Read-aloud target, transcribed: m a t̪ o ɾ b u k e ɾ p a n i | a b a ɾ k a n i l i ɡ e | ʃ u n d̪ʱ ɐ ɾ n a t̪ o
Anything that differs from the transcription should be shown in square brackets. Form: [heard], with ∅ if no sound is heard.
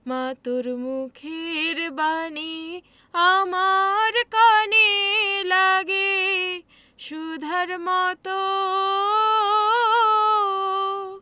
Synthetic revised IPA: m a t̪ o ɾ [m] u [kʰ] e ɾ [b] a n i | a [m] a ɾ k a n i l [a] ɡ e | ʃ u [∅] d̪ʱ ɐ ɾ [m] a t̪ o

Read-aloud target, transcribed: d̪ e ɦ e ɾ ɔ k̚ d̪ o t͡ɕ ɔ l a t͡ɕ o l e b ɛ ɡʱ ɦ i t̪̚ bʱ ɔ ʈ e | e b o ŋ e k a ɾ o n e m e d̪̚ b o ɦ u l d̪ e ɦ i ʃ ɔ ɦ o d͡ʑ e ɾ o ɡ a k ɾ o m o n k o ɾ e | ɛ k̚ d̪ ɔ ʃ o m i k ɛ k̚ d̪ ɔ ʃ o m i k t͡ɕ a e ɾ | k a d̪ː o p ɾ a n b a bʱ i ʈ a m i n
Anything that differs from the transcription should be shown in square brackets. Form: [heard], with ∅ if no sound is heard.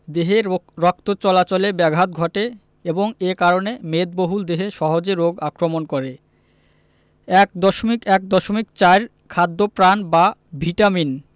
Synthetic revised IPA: d̪ e ɦ e ɾ ɔ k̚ [t̪] o t͡ɕ ɔ l a t͡ɕ o l e b ɛ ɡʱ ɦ [a] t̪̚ [ɡʱ] ɔ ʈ e | e b o ŋ e k a ɾ o n e m e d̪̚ b o ɦ u l d̪ e ɦ [e] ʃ ɔ ɦ o d͡ʑ e ɾ o ɡ a k ɾ o m o n k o ɾ e | ɛ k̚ d̪ ɔ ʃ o m i k ɛ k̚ d̪ ɔ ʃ o m i k t͡ɕ a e ɾ | [kʰ] a d̪ː o p ɾ a n b a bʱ i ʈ a m i n

